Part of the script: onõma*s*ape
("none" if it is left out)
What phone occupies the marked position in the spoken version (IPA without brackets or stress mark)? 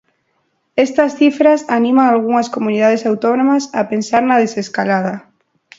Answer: s